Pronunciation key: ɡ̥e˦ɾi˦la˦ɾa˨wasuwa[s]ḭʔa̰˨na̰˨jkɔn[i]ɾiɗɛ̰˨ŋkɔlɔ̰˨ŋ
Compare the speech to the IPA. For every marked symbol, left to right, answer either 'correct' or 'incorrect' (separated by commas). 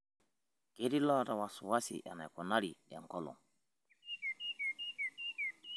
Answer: correct, incorrect